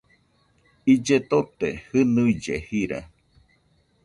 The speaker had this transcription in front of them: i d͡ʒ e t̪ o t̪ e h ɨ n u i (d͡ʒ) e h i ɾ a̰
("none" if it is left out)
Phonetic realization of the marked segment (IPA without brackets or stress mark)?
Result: d͡ʒ